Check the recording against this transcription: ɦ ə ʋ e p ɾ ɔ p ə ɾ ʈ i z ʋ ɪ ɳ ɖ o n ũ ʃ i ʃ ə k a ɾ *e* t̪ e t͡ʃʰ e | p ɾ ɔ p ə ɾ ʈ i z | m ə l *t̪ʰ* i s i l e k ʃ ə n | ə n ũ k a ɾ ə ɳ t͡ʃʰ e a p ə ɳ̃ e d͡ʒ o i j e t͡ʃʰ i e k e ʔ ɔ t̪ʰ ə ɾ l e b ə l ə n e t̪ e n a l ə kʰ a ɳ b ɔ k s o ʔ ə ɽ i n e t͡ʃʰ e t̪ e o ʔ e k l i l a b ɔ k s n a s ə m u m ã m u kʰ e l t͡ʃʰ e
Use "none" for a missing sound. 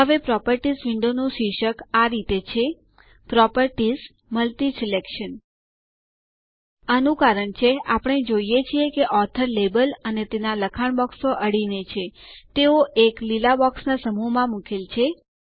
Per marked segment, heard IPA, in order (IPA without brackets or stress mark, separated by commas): i, t̪